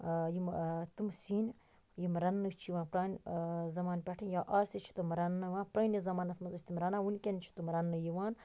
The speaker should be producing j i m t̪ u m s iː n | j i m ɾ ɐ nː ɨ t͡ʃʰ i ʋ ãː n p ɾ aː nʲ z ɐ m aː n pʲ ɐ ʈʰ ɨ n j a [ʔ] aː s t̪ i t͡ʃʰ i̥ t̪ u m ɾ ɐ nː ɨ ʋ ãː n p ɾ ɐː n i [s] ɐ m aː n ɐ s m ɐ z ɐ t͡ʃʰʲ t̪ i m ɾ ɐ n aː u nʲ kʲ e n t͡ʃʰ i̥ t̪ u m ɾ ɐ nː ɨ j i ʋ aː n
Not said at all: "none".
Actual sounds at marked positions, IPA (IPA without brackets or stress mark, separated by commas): ʔ, z